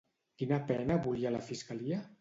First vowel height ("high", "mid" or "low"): high